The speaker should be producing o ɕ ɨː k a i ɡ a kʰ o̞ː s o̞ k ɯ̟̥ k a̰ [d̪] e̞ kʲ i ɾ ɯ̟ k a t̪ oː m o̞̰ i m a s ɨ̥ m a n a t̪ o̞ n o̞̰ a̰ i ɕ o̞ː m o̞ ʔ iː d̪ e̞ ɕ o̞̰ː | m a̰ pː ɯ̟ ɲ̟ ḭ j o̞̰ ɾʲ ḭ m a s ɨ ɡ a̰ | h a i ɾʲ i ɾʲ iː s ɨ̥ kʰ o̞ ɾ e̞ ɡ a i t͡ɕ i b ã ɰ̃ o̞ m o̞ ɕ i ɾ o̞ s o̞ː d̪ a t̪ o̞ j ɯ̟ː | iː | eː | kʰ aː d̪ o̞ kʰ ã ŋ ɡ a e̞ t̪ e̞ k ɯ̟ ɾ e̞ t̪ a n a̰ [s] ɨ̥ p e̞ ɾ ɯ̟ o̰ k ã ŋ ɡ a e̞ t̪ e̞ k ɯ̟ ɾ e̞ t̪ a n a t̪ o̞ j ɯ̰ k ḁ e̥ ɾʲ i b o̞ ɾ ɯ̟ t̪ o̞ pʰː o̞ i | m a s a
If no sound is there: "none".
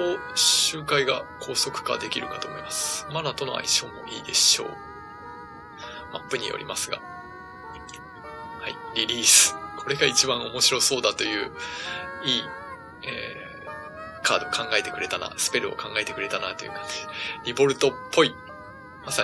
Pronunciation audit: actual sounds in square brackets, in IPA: d̪, s

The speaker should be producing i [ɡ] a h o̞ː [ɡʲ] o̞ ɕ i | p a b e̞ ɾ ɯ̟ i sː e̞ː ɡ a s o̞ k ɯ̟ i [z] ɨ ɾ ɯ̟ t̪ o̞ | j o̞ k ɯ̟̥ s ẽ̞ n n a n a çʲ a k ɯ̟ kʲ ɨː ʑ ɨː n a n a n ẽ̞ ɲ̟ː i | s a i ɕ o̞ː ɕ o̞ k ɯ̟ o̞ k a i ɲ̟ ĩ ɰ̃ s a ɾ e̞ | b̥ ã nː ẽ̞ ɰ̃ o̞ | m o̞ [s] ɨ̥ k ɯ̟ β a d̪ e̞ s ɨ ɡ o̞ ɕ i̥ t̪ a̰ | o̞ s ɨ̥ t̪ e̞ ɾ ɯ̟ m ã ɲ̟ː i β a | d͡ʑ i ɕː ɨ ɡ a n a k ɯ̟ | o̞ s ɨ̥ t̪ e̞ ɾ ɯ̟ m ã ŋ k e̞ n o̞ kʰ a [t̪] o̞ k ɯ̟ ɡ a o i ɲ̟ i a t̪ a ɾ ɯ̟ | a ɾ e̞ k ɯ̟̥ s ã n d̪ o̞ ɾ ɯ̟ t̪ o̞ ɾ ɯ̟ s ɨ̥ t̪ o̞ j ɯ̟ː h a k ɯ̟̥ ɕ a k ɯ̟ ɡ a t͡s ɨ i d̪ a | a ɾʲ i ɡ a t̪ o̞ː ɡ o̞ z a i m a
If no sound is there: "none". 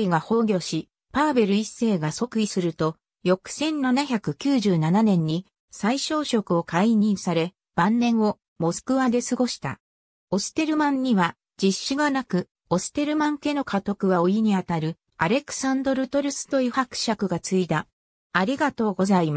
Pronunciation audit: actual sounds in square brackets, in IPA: ɡ, ɡʲ, s, s, t̪

